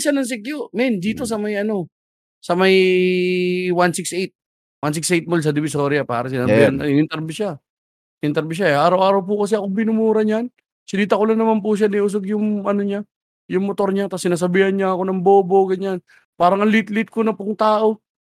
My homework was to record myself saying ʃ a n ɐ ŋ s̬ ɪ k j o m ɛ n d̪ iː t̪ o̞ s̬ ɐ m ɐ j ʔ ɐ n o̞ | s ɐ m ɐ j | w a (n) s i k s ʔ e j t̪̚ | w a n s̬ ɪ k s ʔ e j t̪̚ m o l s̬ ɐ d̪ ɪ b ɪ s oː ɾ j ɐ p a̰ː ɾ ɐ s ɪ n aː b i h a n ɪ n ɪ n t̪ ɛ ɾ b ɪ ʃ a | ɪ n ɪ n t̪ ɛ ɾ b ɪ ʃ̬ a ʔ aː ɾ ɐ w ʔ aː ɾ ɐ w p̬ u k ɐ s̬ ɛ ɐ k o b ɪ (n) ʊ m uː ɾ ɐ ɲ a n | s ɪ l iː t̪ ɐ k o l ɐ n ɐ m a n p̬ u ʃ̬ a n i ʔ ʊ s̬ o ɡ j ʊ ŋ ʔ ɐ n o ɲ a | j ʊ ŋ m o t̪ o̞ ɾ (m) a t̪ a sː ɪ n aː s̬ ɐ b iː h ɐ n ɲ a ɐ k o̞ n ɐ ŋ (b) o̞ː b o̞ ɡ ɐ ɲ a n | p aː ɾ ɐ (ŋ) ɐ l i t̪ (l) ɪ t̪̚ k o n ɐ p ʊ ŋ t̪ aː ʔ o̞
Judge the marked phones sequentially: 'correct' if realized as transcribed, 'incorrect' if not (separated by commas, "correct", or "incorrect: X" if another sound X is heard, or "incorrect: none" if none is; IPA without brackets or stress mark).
correct, correct, incorrect: ɲ, correct, correct, correct